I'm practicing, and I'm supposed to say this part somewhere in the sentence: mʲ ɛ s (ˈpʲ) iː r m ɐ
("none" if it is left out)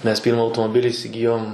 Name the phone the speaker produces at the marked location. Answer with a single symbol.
pʲ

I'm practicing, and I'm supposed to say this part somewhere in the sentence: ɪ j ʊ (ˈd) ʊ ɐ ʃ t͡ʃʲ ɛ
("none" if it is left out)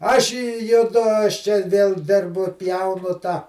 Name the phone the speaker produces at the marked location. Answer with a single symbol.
d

